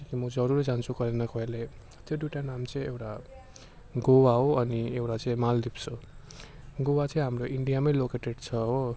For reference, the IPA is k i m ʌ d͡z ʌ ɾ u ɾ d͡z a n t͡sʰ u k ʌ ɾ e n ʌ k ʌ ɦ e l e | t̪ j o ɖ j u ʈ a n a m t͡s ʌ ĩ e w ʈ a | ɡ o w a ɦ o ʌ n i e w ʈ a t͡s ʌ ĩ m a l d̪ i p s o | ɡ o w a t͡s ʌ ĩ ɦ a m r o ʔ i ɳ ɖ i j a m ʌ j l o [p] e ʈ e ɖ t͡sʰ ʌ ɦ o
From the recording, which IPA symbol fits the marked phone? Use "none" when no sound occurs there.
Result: k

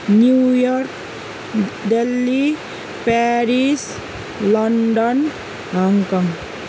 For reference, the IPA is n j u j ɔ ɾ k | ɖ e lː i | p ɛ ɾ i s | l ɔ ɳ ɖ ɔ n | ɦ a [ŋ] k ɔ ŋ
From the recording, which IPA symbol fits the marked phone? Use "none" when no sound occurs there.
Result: ŋ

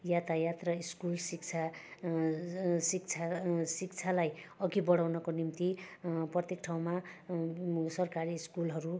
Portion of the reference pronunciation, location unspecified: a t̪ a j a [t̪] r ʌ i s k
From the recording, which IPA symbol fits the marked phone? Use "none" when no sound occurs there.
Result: t̪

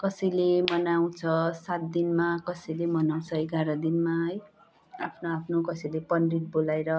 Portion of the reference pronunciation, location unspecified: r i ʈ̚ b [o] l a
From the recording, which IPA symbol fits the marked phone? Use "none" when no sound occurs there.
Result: o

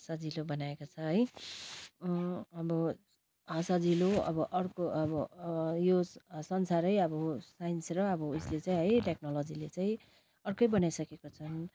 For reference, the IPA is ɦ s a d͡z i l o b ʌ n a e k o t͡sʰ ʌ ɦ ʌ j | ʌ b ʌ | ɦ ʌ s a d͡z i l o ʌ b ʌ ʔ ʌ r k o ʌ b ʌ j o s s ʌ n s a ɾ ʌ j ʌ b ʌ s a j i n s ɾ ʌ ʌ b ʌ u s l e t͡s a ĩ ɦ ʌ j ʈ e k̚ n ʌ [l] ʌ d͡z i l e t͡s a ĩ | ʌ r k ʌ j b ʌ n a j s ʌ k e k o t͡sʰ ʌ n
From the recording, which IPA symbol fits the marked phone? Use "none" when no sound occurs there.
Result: l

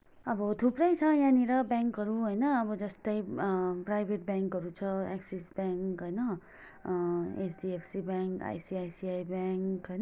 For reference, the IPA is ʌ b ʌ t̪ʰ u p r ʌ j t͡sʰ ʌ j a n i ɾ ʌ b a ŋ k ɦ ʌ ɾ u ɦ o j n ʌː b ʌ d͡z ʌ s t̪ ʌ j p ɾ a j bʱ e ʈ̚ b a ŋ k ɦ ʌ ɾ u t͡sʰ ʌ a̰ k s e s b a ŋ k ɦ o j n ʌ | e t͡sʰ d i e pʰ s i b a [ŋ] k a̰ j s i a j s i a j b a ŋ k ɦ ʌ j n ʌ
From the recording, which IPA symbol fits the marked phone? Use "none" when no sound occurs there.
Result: ŋ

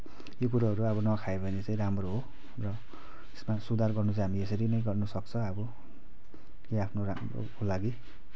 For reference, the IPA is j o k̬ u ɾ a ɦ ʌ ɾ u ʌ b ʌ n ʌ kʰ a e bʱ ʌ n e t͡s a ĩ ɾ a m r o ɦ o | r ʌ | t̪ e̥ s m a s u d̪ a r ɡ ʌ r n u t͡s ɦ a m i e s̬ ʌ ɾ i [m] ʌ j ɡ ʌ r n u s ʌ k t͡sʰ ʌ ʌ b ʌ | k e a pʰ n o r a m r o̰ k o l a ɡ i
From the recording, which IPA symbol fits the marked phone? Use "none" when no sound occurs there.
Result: n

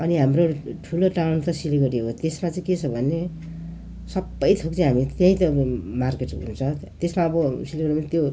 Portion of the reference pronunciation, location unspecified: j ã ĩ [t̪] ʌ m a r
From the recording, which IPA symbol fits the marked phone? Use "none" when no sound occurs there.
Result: t̪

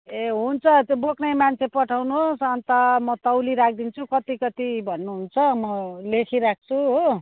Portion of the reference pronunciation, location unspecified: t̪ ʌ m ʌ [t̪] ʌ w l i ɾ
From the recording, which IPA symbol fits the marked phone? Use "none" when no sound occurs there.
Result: t̪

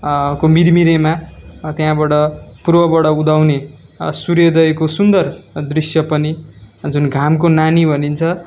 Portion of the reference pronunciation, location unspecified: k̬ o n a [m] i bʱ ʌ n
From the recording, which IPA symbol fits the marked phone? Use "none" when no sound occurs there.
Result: n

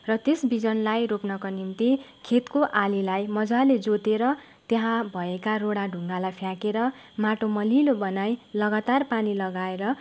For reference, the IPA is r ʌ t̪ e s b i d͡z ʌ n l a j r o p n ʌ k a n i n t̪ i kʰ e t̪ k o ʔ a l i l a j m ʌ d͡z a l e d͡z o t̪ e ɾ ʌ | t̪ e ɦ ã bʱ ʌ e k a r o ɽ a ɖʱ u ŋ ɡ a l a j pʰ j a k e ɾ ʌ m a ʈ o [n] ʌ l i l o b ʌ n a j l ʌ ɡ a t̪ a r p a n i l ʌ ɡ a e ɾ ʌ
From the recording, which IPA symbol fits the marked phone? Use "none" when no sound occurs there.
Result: m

